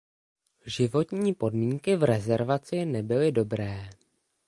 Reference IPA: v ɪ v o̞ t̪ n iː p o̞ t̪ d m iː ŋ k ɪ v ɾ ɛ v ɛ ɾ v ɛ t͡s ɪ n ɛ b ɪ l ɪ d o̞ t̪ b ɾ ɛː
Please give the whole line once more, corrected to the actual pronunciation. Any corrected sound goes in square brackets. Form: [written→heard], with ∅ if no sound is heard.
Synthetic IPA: [v→ʒ] ɪ v o̞ t̪ [n→ɲ] iː p o̞ [t̪→∅] d m iː ŋ k ɪ v ɾ ɛ [v→z] ɛ ɾ v [ɛ→a] t͡s ɪ n ɛ b ɪ l ɪ d o̞ [t̪→∅] b ɾ ɛː